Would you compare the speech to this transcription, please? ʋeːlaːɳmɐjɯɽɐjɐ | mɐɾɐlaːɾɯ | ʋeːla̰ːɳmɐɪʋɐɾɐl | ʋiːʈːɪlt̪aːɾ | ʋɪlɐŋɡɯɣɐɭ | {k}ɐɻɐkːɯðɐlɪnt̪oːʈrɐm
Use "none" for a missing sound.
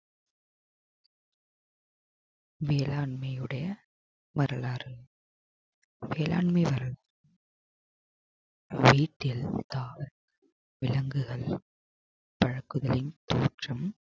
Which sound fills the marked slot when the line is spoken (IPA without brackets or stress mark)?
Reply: p